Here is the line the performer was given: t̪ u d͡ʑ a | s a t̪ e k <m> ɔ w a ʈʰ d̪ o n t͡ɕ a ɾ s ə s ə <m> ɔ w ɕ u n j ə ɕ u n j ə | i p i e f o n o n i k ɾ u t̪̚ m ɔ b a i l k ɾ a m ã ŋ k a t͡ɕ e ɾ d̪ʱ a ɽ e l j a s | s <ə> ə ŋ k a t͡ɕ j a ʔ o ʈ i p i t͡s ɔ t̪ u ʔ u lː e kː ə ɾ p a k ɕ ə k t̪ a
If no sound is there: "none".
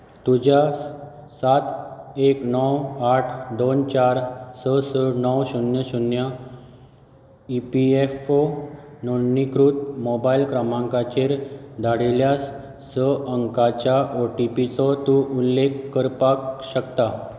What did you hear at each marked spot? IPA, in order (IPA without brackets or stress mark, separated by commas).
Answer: n, n, ə